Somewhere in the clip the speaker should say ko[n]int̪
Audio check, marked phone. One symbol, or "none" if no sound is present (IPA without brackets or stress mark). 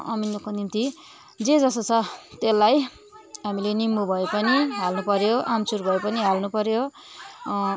n